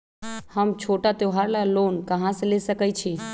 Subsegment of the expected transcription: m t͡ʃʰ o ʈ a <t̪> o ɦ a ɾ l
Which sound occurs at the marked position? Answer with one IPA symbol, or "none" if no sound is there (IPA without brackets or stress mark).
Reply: t̪